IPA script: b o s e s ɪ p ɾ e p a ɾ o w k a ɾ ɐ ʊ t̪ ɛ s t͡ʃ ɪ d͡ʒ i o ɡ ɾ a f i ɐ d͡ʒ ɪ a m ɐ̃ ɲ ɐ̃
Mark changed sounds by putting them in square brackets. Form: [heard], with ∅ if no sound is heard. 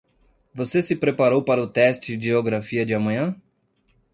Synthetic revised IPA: [v] o s e s ɪ p ɾ e p a ɾ o w [p] a ɾ ɐ ʊ t̪ ɛ s t͡ʃ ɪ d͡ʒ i o ɡ ɾ a f i ɐ d͡ʒ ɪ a m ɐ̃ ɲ ɐ̃